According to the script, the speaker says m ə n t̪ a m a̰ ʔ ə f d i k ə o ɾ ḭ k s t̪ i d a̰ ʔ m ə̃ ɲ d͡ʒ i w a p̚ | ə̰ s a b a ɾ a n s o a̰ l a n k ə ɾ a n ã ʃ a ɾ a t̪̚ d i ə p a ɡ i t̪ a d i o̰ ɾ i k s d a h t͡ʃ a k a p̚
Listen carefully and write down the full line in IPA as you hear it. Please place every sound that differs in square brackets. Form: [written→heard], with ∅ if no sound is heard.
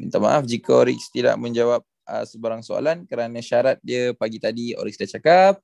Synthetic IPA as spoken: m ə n t̪ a m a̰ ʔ [ə→a] f [d→d͡ʒ] i k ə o ɾ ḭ k s t̪ i d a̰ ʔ m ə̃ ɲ d͡ʒ [i→a] w a p̚ | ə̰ s [a→ə] b a ɾ a [n→ŋ] s o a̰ l a n k ə ɾ a n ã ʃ a ɾ a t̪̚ d i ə p a ɡ i t̪ a d i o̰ ɾ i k s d a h t͡ʃ a k a p̚